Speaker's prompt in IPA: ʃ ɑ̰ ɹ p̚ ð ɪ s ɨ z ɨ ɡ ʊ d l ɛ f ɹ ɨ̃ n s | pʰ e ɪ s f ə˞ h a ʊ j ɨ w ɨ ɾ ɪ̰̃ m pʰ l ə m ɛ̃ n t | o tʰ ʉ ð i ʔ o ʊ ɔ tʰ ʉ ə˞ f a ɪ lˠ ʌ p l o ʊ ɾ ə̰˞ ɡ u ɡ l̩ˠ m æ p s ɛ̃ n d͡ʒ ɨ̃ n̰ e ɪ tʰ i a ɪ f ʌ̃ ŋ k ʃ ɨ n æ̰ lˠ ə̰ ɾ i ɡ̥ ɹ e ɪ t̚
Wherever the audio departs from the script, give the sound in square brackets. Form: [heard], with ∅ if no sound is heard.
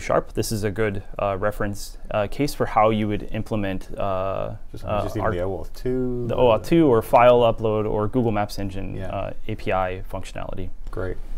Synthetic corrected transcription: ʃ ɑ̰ ɹ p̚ ð ɪ s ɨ z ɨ ɡ ʊ d [ɹ] ɛ f ɹ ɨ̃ n s | [kʰ] e ɪ s f ə˞ h a ʊ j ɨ w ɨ ɾ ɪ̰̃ m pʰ l ə m ɛ̃ n t | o tʰ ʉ ð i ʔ o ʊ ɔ tʰ ʉ ə˞ f a ɪ lˠ ʌ p l o ʊ ɾ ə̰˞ ɡ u ɡ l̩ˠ m æ p s ɛ̃ n d͡ʒ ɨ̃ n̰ e ɪ [pʰ] i a ɪ f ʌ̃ ŋ k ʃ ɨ n æ̰ lˠ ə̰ ɾ i ɡ̥ ɹ e ɪ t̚